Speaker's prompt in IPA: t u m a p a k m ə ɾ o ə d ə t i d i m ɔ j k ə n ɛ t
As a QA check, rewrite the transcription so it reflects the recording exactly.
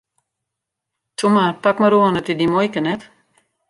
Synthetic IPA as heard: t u m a p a k m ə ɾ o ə n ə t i d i m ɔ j k ə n ɛ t